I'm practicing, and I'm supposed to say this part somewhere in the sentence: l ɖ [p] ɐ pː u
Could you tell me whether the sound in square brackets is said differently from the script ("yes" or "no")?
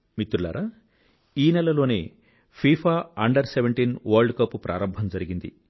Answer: yes